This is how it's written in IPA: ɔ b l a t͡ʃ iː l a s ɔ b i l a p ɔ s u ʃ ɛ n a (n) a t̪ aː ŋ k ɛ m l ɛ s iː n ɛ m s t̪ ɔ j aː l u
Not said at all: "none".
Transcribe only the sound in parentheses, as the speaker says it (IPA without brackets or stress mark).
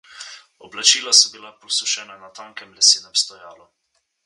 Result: n